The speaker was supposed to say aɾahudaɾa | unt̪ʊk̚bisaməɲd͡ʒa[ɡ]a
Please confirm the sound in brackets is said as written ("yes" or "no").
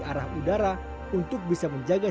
yes